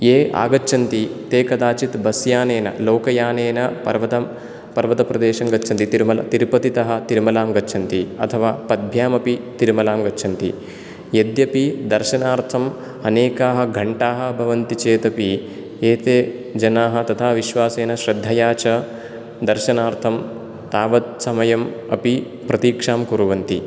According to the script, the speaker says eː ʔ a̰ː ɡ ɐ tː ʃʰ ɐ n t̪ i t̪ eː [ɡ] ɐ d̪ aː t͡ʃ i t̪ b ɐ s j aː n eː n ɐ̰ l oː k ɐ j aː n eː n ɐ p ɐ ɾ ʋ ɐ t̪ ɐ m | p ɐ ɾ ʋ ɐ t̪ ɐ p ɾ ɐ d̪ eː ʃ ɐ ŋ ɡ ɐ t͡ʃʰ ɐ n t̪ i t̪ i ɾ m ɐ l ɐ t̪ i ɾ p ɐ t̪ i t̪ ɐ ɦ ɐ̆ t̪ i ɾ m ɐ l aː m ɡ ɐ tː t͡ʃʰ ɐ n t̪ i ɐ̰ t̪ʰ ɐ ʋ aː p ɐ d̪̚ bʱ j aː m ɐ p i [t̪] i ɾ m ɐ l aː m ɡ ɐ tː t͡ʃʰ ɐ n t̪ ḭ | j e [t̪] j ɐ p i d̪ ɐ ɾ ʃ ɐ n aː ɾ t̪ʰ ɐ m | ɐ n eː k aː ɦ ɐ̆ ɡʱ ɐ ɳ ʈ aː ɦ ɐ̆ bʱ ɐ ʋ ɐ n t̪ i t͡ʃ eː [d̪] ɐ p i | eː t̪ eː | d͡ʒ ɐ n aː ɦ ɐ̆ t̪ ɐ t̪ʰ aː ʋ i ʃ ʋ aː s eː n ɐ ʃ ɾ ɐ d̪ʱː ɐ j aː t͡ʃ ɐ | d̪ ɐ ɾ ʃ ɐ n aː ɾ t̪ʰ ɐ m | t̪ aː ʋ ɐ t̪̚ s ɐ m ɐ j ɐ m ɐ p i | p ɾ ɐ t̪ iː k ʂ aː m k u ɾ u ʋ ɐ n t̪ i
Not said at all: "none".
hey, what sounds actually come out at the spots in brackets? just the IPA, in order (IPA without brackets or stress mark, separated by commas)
k, t̪, d̪, t̪